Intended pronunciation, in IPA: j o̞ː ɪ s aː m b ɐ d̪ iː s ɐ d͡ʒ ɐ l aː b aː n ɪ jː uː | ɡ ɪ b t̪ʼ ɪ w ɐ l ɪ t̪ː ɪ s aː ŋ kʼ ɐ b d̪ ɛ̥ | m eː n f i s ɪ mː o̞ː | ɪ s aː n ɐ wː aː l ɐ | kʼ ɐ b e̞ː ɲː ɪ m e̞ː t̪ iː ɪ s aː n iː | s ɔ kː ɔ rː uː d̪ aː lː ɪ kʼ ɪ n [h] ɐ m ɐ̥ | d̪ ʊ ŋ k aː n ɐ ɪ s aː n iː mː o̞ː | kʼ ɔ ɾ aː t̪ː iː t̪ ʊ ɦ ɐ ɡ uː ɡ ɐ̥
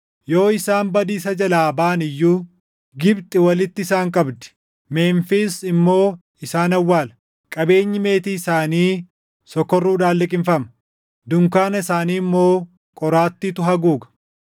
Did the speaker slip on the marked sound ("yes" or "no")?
yes